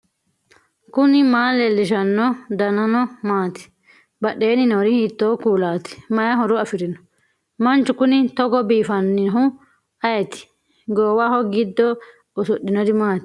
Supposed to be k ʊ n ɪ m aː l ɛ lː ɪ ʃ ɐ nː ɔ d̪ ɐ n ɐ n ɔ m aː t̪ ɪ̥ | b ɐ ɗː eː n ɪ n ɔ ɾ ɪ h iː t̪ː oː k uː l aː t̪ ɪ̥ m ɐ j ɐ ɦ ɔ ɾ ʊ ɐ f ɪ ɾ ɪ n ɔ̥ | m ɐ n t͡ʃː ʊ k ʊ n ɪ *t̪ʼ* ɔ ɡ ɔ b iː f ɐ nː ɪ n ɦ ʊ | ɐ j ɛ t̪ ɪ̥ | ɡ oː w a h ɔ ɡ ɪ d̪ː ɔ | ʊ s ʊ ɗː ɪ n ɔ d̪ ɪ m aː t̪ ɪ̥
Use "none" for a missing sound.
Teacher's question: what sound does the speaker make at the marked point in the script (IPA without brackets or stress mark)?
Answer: t̪